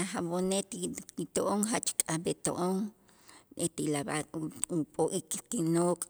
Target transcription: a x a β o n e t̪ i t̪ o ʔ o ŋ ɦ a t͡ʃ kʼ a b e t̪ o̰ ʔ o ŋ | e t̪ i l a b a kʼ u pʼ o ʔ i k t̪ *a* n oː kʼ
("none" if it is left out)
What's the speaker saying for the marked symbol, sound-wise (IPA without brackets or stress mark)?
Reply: i